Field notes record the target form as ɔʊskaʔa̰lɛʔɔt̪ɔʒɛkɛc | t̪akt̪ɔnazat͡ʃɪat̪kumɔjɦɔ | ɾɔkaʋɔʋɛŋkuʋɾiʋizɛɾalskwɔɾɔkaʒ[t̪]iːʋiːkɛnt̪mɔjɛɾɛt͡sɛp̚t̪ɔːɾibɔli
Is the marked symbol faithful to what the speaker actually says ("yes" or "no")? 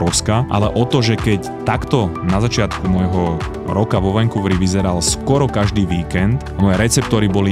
no